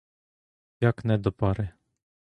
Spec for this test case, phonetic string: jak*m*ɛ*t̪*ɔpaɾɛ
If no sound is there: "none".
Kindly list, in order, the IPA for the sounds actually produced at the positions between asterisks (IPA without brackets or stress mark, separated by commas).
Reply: n, d̪